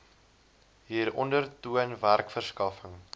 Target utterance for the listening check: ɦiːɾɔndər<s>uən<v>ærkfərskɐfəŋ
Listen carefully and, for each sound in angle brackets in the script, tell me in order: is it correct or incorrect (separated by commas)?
incorrect, correct